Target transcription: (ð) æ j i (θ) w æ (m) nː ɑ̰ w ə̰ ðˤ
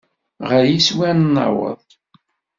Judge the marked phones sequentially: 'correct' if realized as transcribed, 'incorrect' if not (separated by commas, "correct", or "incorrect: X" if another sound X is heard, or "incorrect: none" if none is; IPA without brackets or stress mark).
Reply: incorrect: ʁ, incorrect: s, incorrect: n